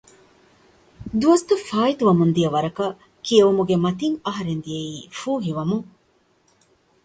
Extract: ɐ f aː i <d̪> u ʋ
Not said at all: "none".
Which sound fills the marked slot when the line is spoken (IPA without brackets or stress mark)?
t̪